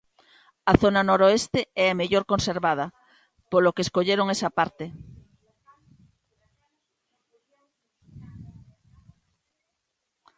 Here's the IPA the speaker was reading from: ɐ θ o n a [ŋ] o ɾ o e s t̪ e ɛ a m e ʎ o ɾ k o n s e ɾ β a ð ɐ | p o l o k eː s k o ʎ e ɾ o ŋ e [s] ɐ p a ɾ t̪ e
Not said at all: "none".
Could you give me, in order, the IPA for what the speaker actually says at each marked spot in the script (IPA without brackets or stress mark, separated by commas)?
n, s